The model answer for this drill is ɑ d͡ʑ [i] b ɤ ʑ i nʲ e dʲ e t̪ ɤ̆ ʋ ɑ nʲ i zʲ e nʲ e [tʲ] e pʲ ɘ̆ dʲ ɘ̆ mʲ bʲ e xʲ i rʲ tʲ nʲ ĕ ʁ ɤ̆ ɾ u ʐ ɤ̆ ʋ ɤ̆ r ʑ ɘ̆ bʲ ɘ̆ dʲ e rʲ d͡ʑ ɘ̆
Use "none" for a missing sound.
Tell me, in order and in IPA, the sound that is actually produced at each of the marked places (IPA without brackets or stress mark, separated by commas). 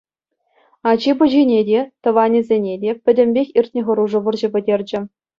i, dʲ